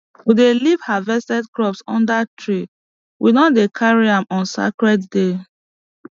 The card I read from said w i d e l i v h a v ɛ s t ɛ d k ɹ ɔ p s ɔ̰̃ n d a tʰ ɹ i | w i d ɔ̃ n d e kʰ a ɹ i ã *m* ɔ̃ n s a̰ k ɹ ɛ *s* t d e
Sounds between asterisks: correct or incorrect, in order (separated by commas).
correct, incorrect